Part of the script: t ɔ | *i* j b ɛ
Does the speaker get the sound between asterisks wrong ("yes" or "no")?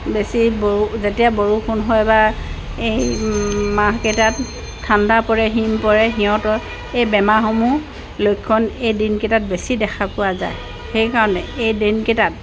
yes